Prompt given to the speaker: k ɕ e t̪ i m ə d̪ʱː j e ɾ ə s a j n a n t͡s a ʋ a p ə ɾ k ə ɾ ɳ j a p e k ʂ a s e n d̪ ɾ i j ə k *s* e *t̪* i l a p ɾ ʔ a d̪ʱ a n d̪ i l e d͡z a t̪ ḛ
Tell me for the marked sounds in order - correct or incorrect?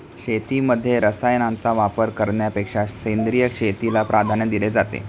incorrect: ʂ, correct

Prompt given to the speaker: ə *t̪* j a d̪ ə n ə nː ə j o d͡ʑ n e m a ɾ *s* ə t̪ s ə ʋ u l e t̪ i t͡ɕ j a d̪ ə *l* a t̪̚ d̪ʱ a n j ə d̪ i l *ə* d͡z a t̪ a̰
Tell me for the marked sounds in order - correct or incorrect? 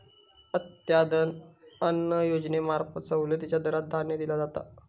correct, incorrect: f, incorrect: ɾ, incorrect: a

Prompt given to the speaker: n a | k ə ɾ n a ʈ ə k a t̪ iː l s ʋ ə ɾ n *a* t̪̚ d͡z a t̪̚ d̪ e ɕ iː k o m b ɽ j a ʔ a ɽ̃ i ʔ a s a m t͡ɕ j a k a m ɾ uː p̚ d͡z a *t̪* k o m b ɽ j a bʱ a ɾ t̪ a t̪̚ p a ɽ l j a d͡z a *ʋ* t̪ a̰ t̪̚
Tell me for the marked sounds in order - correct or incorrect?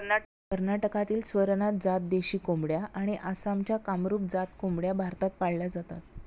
correct, correct, incorrect: none

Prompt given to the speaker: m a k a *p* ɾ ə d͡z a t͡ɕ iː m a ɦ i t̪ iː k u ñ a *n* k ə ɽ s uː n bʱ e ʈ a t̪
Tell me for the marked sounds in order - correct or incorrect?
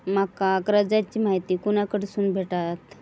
incorrect: k, incorrect: none

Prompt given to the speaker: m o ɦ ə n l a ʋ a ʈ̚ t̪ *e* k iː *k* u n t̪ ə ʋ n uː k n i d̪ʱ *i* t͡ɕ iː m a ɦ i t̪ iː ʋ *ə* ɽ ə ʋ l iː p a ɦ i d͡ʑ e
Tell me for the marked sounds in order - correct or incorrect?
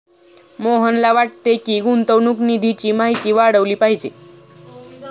correct, incorrect: ɡ, correct, incorrect: a

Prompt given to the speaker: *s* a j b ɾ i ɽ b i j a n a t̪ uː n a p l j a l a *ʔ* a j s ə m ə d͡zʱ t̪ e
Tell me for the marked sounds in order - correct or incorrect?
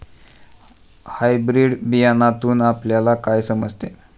incorrect: h, incorrect: k

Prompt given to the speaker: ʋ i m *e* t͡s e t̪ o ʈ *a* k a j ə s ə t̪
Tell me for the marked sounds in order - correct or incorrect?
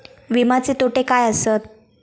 incorrect: a, incorrect: e

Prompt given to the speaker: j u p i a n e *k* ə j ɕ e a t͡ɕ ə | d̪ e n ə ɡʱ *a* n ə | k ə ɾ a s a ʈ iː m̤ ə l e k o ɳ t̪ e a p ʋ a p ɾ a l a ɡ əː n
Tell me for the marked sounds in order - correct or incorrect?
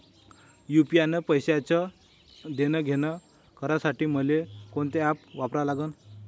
incorrect: p, incorrect: e

